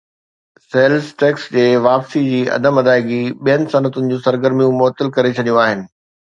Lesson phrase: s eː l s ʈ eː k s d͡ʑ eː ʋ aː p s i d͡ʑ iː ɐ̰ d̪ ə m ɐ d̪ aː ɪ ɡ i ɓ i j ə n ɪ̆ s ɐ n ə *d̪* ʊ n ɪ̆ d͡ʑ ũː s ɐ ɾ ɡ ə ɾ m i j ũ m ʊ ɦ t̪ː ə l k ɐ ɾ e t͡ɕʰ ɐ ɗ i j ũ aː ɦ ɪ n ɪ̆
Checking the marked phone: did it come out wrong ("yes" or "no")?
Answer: yes